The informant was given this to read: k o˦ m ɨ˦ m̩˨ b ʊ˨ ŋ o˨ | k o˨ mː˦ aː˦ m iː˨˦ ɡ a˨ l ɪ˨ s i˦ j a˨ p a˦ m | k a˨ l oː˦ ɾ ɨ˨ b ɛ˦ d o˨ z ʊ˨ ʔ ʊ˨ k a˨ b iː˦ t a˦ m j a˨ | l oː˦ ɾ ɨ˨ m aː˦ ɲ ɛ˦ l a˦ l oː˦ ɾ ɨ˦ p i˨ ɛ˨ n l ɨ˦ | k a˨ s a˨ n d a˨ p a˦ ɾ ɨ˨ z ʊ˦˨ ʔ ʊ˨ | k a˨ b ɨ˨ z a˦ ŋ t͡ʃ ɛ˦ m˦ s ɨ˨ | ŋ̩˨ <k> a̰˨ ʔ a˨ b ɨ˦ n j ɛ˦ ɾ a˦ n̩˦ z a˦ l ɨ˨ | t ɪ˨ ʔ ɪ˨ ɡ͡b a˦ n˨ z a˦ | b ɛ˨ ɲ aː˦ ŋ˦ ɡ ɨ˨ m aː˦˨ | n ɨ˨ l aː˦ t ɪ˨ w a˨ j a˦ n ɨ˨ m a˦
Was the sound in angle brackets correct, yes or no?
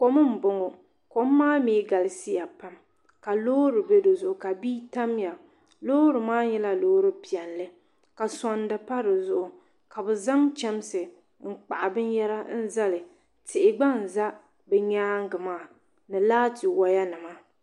no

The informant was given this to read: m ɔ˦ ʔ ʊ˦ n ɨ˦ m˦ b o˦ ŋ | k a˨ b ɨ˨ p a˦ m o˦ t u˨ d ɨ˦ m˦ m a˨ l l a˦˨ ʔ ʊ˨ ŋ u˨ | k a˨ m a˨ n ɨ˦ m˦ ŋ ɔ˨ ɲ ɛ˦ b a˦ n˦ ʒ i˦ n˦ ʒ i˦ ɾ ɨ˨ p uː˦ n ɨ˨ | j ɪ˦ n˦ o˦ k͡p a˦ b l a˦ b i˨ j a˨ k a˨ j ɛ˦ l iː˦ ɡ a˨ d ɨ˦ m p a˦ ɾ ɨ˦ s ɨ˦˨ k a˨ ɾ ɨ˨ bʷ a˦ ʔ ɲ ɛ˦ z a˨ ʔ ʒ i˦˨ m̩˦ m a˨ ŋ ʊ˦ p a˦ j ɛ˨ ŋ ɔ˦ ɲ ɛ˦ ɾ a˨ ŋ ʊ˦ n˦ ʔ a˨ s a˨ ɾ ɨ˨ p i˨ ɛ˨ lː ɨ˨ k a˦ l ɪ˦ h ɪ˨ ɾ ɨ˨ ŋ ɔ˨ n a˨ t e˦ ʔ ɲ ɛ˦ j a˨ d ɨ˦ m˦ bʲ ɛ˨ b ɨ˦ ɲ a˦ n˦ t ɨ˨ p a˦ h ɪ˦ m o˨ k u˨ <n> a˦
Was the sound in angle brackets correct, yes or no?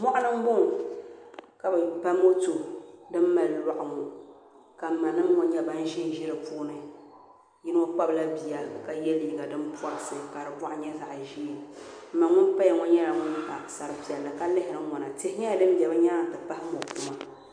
no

